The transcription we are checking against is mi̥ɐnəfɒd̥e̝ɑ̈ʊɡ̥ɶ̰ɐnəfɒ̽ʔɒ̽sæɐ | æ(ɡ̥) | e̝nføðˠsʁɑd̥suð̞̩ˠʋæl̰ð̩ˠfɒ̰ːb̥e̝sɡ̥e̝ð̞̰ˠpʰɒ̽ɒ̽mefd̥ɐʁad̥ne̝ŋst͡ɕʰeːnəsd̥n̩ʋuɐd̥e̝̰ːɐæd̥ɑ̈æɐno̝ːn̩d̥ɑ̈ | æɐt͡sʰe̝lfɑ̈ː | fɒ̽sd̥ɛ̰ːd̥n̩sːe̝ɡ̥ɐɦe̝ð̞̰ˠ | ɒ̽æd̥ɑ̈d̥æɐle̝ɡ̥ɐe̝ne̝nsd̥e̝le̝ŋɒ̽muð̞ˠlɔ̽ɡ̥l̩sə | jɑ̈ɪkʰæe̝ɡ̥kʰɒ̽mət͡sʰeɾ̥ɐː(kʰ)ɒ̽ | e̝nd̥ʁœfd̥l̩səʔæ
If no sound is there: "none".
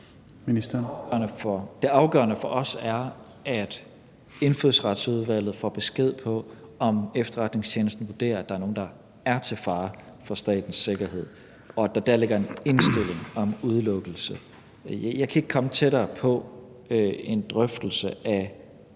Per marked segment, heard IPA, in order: d̥, pʰ

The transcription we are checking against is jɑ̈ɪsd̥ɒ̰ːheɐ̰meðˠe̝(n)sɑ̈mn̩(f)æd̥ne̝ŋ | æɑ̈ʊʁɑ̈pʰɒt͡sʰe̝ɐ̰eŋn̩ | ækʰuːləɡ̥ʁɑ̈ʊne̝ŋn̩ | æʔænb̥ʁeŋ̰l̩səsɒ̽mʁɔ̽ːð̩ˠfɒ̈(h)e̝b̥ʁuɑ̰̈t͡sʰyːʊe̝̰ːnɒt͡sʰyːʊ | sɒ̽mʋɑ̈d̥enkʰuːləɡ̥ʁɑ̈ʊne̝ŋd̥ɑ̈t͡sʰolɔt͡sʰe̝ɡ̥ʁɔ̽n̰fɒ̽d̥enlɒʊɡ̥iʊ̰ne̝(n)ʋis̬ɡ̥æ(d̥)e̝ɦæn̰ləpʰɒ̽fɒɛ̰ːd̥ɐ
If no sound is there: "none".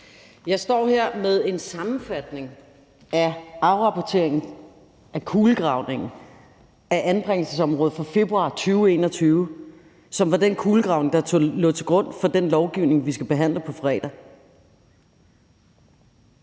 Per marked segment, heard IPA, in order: n, f, f, ŋ, b̥

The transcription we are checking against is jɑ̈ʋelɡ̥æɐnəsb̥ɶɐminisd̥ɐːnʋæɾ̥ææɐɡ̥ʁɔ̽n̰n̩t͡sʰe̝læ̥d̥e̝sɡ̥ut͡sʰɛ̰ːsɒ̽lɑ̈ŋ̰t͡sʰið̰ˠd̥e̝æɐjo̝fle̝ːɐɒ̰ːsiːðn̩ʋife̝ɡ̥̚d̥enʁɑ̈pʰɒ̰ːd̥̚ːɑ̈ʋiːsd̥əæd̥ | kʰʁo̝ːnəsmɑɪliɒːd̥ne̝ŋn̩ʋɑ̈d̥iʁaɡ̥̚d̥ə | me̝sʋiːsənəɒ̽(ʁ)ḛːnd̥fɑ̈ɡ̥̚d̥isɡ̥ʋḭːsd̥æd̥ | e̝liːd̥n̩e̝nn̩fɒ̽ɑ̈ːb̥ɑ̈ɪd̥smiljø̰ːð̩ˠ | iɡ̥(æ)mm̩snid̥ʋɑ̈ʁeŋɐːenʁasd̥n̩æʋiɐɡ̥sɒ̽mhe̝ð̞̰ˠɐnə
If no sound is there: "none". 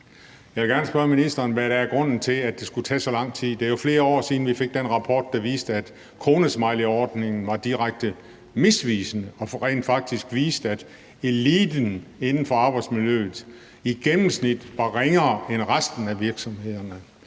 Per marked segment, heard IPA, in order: ʁ, e

